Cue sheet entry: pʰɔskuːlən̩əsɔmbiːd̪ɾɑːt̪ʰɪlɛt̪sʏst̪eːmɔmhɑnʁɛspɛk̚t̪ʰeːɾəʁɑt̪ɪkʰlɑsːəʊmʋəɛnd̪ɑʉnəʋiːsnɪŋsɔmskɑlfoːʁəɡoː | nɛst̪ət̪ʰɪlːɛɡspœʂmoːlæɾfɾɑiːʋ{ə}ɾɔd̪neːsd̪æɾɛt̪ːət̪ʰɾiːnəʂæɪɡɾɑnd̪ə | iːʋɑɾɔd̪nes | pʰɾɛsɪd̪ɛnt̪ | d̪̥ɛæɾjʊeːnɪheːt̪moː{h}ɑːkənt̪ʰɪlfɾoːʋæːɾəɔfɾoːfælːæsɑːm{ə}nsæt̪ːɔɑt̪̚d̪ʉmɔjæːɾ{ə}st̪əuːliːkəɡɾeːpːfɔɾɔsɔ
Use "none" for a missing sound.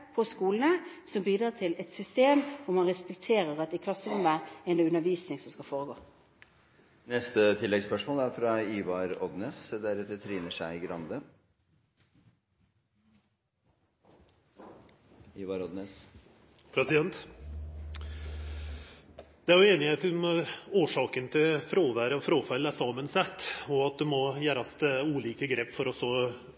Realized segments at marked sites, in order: ɑ, ʂ, ə, ɑ

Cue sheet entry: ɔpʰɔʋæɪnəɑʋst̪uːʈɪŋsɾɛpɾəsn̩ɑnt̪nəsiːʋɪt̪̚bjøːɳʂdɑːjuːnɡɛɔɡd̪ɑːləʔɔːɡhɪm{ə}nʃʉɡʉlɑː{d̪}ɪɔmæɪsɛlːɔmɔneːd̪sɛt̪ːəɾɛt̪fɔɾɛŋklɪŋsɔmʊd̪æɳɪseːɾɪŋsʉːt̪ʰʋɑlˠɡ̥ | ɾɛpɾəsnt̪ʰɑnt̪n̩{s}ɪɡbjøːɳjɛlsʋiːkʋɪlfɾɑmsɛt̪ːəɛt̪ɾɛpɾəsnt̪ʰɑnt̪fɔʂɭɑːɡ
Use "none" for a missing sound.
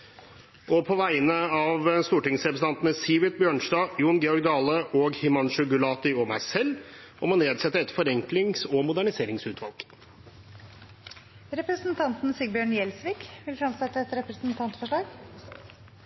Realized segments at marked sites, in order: ɑ, t̪, s

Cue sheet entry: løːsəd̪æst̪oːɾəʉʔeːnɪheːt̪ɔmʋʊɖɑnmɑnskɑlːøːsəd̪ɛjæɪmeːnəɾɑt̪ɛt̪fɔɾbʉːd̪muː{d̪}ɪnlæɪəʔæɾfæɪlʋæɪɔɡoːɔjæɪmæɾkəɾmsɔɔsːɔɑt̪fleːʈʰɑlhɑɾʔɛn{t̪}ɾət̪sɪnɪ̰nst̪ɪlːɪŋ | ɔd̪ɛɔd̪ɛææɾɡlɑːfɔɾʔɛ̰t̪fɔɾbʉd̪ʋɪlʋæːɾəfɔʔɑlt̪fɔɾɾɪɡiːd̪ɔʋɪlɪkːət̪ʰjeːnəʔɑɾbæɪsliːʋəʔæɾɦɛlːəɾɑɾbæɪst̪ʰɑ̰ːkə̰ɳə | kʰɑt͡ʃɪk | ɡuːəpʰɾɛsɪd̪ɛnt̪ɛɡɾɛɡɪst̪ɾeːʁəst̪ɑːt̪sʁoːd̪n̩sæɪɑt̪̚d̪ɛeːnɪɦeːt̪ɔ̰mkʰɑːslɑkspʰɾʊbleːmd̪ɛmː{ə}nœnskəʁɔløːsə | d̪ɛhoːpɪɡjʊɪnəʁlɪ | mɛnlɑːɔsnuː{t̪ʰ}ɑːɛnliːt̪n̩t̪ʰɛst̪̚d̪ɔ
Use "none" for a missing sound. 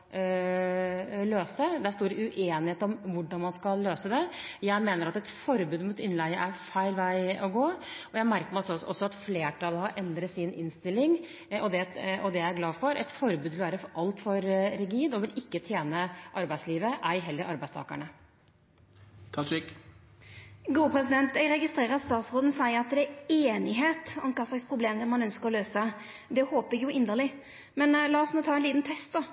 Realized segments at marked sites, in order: t̪, d̪, ɑ, t̪ʰ

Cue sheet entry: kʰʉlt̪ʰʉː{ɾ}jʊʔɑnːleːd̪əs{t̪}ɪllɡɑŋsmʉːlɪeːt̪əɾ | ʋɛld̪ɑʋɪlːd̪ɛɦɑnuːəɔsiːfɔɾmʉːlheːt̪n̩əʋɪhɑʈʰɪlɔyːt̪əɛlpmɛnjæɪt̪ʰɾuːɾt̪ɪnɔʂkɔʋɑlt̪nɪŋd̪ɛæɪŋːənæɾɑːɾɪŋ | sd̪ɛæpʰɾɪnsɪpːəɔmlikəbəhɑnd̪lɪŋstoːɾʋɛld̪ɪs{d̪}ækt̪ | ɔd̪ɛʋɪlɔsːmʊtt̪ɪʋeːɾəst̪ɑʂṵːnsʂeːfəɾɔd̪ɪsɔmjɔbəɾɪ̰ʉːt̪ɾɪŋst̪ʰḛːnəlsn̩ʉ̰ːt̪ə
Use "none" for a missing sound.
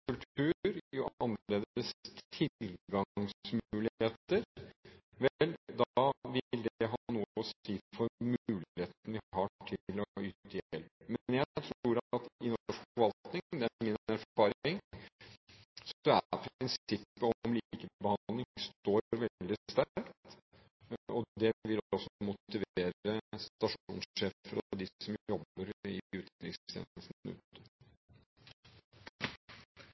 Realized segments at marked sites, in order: ɾ, t̪ʰ, t̪

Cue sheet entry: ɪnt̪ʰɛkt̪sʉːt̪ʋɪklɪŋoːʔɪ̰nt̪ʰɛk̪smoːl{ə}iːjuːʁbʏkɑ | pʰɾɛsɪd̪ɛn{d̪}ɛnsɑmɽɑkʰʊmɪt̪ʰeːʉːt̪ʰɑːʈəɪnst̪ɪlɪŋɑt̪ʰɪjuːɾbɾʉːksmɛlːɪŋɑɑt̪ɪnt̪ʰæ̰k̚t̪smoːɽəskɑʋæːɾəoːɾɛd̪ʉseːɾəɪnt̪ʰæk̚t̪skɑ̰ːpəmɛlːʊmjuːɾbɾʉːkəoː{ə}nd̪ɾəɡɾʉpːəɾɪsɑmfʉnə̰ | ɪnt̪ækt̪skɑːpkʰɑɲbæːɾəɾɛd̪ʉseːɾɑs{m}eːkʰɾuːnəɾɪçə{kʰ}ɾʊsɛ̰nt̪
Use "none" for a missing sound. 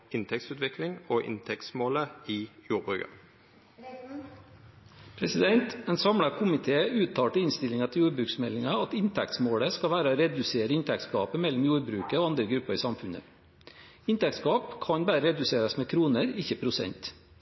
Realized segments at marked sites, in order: ə, t̪, ɑ, m, pʰ

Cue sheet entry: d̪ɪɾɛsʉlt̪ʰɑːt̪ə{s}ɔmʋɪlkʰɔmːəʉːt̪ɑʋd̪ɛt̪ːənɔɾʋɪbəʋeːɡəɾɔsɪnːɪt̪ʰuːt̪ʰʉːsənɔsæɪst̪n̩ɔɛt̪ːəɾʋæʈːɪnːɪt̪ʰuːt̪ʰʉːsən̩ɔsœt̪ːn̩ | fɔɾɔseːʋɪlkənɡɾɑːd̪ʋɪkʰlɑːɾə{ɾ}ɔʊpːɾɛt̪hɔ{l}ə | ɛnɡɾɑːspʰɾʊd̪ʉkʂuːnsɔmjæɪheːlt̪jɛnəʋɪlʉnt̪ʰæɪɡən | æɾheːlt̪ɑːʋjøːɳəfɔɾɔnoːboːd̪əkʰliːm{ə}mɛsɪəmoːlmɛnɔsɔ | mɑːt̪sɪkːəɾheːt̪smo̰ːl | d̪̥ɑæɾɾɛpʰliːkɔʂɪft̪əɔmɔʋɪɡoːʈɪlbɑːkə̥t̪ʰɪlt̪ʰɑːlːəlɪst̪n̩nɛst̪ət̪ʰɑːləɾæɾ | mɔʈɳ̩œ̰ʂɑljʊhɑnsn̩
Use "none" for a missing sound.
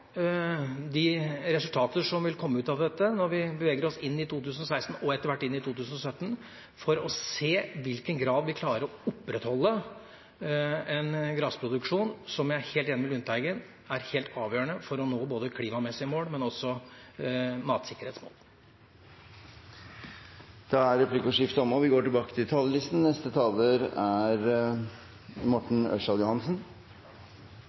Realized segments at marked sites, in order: ʂ, ɾ, lː, ɑ

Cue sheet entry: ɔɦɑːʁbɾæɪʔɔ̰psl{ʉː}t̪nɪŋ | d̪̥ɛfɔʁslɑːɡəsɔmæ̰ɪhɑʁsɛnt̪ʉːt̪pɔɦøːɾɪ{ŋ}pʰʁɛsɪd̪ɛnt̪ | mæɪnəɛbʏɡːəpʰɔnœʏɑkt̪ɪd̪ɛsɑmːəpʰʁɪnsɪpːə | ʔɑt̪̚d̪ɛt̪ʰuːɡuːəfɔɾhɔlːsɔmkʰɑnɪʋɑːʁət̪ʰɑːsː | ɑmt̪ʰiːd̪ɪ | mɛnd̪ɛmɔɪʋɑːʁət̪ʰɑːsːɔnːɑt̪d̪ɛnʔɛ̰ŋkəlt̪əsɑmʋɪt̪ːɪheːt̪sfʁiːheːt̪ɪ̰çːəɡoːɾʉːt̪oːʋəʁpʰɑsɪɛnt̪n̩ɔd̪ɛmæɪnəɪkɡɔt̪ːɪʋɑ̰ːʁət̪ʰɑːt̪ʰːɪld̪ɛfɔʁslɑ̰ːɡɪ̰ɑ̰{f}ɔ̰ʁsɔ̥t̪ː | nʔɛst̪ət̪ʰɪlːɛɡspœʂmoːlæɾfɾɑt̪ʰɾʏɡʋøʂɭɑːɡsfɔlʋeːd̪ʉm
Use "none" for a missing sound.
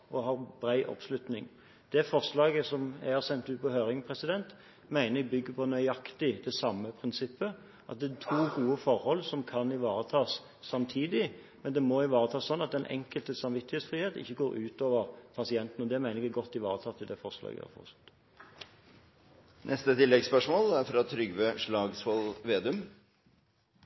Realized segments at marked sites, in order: ʉ, ŋ, f

